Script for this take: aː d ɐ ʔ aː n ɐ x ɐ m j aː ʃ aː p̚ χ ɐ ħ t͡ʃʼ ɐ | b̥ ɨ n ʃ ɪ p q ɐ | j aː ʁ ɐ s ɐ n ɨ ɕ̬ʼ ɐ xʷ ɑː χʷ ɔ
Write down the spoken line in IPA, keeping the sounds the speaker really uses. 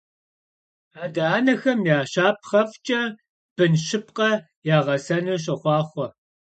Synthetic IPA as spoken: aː d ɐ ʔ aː n ɐ x ɐ m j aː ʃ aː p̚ χ ɐ f t͡ʃʼ ɐ | b̥ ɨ n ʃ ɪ p q ɐ | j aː ʁ ɐ s ɐ n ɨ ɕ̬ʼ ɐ χʷ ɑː χʷ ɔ